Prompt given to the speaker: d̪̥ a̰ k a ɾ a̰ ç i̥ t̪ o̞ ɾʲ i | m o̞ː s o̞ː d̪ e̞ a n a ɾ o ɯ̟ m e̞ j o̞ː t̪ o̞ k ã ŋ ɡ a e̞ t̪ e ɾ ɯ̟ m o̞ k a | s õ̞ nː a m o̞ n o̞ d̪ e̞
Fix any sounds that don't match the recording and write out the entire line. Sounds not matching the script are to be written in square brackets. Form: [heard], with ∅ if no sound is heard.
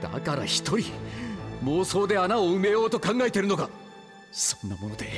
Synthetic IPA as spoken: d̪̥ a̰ k a ɾ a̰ ç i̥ t̪ o̞ ɾʲ i | m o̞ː s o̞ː d̪ e̞ a n a [∅] o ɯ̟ m e̞ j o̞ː t̪ o̞ k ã ŋ ɡ a e̞ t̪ e ɾ ɯ̟ [n] o̞ k a | s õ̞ nː a m o̞ n o̞ d̪ e̞

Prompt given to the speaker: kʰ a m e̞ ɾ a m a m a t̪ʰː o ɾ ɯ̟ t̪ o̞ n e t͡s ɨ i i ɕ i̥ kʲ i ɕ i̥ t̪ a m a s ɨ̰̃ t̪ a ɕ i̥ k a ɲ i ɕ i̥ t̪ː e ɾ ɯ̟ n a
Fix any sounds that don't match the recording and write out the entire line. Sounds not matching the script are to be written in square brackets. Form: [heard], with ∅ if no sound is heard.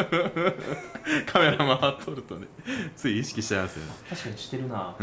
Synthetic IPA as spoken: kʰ a m e̞ ɾ a m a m a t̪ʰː o ɾ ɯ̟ t̪ o̞ n e t͡s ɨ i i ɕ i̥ kʲ i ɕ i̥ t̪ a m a s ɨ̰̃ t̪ a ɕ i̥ k a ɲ i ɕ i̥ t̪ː e ɾ ɯ̟ n a

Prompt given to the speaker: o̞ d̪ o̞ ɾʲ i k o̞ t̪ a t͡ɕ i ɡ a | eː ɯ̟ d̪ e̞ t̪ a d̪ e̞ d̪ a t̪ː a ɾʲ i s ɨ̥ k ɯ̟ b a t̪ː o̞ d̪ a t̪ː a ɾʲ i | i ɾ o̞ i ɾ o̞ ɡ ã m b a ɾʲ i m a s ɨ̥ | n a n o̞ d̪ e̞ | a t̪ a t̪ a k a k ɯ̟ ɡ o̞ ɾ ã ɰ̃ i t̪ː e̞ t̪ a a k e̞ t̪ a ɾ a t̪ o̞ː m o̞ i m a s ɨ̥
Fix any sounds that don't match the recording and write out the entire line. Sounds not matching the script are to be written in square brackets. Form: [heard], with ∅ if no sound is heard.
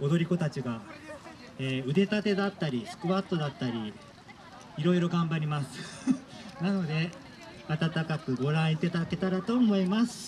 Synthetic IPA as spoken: o̞ d̪ o̞ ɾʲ i k o̞ t̪ a t͡ɕ i ɡ a | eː ɯ̟ d̪ e̞ t̪ a [t̪] e̞ d̪ a t̪ː a ɾʲ i s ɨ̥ k ɯ̟ [β] a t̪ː o̞ d̪ a t̪ː a ɾʲ i | i ɾ o̞ i ɾ o̞ ɡ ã m b a ɾʲ i m a s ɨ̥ | n a n o̞ d̪ e̞ | a t̪ a t̪ a k a k ɯ̟ ɡ o̞ ɾ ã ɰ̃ i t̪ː e̞ t̪ a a k e̞ t̪ a ɾ a t̪ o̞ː m o̞ i m a s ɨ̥

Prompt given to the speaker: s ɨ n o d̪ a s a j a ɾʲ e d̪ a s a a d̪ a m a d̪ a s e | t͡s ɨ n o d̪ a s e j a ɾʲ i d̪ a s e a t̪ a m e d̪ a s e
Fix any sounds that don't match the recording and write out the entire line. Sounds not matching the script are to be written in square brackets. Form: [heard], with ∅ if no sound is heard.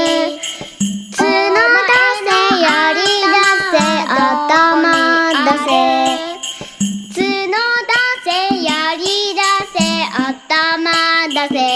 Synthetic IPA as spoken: [t͡s] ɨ n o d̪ a s [e] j a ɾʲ [i] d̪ a s [e] a [t̪] a m a d̪ a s e | t͡s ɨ n o d̪ a s e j a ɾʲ i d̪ a s e a t̪ a m [a] d̪ a s e

